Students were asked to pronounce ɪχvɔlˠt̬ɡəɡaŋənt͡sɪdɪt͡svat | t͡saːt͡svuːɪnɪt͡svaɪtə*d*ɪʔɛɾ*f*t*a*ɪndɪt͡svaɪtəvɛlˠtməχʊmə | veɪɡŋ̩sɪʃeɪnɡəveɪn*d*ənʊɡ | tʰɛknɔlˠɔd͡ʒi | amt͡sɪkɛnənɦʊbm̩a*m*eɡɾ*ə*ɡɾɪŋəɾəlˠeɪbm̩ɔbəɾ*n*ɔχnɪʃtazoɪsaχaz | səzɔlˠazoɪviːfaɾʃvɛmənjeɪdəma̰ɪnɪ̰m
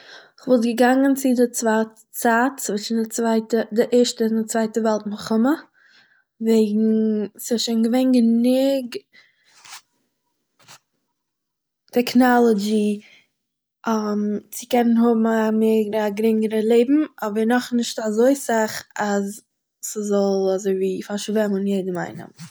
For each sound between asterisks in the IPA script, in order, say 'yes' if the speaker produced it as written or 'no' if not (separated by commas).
yes, no, no, no, yes, no, yes